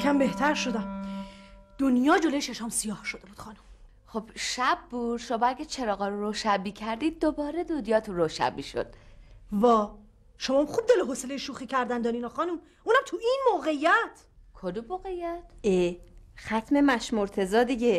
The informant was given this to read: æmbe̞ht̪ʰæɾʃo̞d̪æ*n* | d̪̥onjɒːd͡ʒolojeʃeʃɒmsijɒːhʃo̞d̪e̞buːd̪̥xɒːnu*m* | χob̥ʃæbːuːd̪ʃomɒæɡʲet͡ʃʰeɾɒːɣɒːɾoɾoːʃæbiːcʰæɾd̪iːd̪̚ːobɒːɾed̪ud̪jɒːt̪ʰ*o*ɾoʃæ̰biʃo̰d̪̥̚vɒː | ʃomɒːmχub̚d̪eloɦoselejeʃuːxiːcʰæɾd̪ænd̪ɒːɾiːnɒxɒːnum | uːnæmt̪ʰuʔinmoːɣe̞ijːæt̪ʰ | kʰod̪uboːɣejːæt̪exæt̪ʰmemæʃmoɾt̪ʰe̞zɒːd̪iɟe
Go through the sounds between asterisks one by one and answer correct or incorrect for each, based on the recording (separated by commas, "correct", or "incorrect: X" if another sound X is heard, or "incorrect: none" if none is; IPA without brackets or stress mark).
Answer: incorrect: m, correct, incorrect: u